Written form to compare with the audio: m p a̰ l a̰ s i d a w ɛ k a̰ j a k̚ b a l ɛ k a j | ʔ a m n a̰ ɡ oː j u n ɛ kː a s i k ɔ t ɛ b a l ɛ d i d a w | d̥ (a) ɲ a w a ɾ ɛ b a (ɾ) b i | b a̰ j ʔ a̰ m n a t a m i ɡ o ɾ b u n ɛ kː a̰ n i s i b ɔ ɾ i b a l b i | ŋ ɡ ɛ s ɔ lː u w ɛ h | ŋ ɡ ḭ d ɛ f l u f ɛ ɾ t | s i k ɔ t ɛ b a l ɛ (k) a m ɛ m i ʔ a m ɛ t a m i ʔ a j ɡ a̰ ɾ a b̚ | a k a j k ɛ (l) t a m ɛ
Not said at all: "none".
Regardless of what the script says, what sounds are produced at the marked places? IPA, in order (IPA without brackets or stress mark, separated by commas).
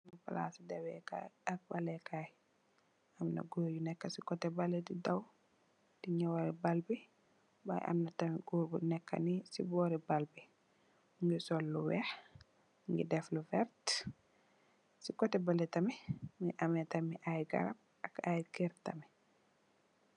i, l, t, ɾ